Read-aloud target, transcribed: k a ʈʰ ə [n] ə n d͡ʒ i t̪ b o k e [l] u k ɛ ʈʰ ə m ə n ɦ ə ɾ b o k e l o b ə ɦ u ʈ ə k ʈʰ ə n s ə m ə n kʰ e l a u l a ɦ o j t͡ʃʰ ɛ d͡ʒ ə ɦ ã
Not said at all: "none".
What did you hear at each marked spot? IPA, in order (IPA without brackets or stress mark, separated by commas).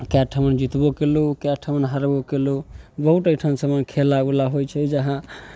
m, l